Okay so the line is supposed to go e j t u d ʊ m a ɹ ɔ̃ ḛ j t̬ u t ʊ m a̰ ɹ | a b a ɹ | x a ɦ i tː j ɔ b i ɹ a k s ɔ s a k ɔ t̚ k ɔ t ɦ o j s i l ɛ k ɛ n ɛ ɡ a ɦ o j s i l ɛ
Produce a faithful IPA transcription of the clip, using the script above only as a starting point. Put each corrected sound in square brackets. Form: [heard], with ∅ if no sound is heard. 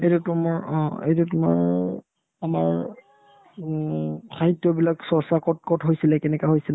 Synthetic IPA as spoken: e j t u [t] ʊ m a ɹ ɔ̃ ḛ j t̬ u t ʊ m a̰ ɹ | a [m] a ɹ | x a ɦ i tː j ɔ b i [l] a k s ɔ s a k ɔ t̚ k ɔ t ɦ o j s i l ɛ k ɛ n ɛ [k] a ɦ o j s i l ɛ